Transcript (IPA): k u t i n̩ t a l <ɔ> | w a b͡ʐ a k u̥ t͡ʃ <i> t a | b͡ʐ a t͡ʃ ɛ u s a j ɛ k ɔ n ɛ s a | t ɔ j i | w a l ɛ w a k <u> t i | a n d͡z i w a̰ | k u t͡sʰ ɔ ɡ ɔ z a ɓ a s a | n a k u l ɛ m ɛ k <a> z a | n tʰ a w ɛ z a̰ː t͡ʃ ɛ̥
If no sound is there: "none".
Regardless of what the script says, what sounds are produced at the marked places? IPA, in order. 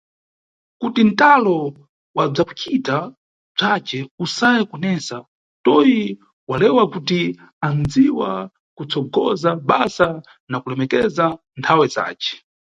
ɔ, i, u, ɛ

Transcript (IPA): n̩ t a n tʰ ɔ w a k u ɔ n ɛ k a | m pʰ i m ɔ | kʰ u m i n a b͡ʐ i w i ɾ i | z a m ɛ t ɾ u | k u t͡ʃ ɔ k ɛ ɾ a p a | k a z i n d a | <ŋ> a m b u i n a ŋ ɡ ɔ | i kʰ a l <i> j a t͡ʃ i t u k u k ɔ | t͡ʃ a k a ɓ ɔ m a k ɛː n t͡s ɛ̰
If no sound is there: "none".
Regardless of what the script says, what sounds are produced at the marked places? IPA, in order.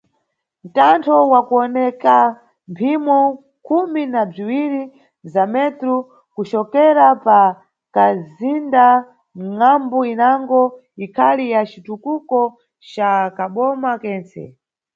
ŋ, i

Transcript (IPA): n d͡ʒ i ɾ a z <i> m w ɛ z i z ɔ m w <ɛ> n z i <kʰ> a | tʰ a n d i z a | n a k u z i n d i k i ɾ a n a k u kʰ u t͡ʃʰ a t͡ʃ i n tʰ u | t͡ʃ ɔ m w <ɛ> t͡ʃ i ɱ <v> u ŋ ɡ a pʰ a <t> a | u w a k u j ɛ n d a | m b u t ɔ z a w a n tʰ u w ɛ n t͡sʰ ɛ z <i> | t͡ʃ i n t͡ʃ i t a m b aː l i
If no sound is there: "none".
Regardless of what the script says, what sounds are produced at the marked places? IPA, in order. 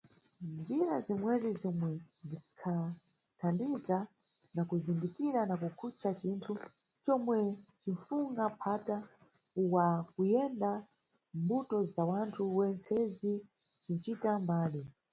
i, ɛ, kʰ, ɛ, f, t, i

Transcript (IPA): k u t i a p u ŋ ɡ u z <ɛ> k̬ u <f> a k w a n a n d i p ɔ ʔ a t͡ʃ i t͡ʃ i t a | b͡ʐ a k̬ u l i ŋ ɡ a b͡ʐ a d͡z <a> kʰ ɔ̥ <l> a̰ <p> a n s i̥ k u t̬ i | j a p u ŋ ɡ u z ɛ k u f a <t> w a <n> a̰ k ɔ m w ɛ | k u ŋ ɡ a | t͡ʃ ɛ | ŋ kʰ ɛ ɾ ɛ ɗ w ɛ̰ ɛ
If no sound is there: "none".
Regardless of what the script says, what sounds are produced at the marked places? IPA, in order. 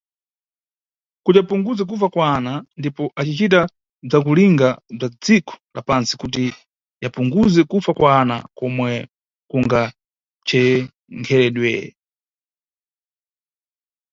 ɛ, f, i, l, p, k, n

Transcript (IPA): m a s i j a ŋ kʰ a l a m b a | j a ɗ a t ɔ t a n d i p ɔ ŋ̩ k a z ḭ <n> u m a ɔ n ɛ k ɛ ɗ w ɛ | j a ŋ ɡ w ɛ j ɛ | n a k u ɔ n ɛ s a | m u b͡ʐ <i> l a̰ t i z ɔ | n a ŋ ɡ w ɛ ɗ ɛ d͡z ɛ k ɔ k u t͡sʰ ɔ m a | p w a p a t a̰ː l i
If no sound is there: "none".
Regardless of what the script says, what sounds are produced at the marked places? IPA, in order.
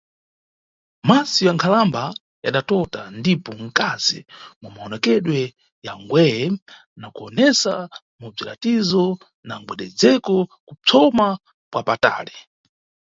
m, i

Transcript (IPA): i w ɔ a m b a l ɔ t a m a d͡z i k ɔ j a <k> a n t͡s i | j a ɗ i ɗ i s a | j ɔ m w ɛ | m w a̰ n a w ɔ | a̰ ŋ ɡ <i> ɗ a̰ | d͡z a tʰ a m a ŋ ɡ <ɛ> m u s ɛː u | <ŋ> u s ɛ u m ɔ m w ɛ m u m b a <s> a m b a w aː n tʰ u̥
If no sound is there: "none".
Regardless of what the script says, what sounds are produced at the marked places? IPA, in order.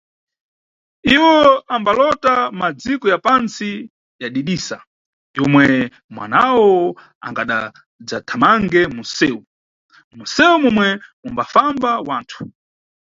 p, a, ɛ, m, f

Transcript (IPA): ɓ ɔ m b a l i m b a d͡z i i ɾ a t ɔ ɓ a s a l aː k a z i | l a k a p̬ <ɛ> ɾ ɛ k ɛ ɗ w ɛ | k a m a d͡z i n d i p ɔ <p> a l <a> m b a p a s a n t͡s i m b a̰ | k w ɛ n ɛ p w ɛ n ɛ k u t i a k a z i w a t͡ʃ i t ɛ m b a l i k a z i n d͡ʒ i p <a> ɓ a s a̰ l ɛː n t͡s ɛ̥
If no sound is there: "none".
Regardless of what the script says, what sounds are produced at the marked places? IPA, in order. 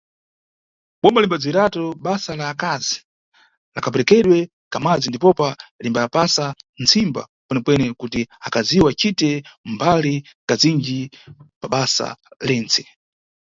ɛ, p, i, a

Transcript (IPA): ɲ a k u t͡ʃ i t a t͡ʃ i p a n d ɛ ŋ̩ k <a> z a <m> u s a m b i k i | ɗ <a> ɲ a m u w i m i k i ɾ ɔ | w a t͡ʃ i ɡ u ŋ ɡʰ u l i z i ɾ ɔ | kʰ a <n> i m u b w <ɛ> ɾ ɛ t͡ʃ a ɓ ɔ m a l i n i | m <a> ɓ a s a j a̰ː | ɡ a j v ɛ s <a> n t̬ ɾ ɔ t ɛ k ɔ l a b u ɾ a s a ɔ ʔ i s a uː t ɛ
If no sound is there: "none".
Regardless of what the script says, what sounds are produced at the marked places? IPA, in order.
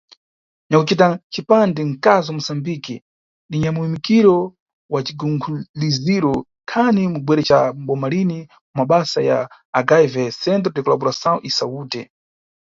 a, m, i, n, ɛ, a, ɛ

